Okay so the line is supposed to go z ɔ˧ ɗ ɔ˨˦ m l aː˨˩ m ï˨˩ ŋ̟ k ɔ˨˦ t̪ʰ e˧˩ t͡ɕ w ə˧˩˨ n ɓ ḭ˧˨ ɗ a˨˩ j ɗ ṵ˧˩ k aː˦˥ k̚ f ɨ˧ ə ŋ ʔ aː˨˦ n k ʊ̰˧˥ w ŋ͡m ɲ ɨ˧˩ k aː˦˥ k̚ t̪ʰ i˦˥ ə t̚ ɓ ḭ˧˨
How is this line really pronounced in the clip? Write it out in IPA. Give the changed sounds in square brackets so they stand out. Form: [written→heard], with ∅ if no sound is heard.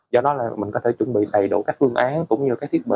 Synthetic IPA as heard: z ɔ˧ ɗ ɔ˨˦ [m→∅] l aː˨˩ m ï˨˩ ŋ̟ k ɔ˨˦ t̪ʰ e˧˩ t͡ɕ w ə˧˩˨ n ɓ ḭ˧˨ ɗ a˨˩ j ɗ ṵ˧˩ k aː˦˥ k̚ f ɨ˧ ə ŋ ʔ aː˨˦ n k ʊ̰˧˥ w ŋ͡m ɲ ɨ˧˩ k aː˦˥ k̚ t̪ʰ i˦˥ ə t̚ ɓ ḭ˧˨